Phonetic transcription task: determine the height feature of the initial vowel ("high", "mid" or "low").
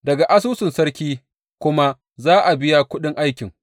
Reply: low